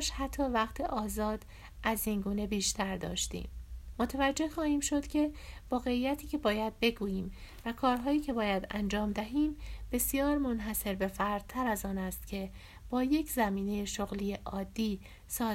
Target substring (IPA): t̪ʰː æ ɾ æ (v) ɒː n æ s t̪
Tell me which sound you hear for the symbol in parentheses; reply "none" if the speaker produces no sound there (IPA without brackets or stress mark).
z